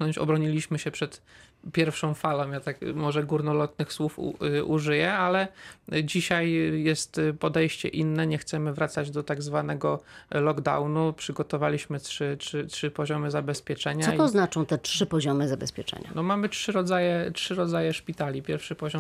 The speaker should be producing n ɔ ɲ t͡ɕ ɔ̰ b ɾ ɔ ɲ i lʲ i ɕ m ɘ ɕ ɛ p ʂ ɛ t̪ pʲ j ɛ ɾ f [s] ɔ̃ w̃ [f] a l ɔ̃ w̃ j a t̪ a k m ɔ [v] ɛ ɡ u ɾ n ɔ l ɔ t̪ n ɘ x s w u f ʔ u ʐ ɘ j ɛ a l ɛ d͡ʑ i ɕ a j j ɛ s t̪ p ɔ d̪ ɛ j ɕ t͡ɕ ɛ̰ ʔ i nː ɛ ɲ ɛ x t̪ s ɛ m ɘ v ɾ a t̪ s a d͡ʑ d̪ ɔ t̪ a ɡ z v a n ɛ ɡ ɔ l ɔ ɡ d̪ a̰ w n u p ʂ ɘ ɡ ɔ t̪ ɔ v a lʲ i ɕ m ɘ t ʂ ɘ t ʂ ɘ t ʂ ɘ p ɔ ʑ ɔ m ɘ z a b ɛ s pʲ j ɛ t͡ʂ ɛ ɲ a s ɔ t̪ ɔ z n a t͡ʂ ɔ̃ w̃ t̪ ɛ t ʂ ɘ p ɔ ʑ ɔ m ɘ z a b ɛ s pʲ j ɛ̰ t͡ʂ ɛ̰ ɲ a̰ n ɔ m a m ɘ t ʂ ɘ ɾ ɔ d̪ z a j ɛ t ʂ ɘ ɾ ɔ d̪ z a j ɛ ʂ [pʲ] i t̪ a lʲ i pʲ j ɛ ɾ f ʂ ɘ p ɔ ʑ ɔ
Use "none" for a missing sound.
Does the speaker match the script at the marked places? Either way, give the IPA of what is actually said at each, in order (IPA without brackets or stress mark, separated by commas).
ʂ, f, ʐ, pʲ